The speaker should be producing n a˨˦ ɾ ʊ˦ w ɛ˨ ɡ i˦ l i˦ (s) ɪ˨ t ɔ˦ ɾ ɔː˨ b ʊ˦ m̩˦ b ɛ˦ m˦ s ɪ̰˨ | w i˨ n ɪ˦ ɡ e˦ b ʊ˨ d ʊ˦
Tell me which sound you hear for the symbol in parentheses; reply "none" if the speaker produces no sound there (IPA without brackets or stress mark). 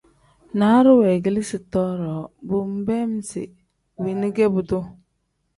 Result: s